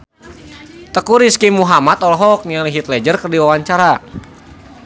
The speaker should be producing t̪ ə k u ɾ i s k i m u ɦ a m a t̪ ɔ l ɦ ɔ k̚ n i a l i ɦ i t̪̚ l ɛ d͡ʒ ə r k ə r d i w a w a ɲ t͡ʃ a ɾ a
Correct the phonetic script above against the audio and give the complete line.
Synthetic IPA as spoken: t̪ ə k u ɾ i s k i m u ɦ a m a t̪ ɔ l ɦ ɔ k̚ n i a l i ɦ i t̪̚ l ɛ d͡ʒ ə r k ə r d i w a w a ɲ t͡ʃ a ɾ a